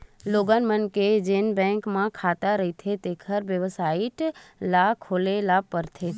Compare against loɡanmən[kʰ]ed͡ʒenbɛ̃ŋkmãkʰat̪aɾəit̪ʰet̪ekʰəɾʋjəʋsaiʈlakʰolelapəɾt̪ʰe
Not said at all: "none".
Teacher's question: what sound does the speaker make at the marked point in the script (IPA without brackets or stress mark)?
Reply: k